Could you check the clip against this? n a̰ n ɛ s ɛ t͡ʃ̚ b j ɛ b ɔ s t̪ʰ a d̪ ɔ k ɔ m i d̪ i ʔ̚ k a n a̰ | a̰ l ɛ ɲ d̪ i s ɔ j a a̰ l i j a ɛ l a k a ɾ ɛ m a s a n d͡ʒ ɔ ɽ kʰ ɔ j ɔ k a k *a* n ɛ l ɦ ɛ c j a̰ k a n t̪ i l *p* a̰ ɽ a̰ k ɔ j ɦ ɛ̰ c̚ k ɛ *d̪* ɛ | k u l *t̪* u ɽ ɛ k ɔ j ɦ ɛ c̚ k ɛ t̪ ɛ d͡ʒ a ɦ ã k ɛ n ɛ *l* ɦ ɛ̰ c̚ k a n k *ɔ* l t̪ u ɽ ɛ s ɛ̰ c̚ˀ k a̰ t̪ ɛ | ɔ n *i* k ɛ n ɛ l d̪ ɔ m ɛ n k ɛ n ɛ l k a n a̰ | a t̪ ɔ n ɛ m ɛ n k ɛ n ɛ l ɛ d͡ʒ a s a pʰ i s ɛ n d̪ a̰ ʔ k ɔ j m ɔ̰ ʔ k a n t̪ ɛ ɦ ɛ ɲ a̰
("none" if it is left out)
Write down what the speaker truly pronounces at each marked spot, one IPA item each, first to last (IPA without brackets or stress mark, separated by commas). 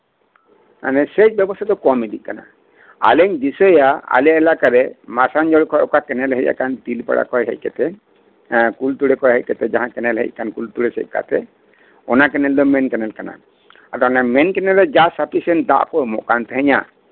ɛ, p, t̪, t̪, l, u, a